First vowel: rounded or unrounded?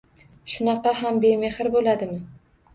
rounded